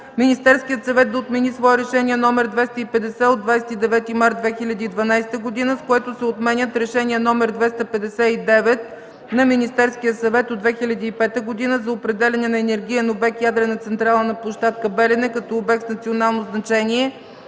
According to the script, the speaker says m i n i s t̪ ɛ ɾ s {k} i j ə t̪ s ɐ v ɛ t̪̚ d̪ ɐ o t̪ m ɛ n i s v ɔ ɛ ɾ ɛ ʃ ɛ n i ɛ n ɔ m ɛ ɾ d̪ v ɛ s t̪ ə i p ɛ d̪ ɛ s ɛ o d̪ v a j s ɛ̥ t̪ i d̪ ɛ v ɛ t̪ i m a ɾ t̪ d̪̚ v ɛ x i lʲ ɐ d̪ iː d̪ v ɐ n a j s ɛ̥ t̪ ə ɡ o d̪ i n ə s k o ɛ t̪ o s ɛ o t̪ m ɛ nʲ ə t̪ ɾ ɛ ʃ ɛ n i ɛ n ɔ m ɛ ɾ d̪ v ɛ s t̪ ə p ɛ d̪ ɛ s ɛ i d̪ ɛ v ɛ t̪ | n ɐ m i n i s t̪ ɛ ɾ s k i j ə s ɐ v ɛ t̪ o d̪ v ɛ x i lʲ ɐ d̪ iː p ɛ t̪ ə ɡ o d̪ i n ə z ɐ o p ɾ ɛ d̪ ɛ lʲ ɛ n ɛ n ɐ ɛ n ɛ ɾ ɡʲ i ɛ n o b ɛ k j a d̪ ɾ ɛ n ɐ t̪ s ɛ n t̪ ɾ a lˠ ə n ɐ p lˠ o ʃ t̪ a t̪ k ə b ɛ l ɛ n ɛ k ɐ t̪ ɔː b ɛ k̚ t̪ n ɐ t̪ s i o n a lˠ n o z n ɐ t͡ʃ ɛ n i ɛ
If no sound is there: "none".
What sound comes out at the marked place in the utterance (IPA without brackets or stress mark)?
k